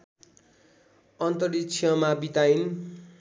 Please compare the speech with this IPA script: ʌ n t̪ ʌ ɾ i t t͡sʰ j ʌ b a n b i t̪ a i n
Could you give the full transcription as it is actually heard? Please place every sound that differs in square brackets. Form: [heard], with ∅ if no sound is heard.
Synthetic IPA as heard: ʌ n t̪ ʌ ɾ i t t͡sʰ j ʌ [m] a [∅] b i t̪ a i n

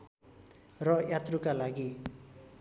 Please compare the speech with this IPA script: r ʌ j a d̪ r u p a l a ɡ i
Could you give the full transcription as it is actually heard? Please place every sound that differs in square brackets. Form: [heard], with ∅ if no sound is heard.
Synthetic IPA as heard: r ʌ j a [t̪] r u [k] a l a ɡ i

